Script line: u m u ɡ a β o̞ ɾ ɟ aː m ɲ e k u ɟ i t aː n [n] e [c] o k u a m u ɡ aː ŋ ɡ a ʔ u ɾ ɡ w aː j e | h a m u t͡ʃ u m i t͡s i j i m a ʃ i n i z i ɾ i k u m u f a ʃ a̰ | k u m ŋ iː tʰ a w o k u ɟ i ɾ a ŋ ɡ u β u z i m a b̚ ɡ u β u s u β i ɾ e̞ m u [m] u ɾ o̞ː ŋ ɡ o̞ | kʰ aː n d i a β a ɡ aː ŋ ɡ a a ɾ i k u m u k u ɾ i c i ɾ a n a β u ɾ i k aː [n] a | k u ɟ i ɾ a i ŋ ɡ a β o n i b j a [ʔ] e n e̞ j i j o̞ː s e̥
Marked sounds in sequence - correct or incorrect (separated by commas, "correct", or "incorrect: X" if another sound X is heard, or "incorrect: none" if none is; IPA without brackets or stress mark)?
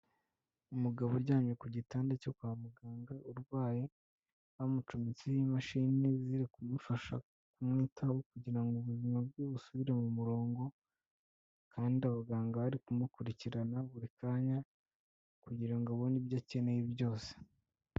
incorrect: d, correct, correct, incorrect: ɲ, incorrect: c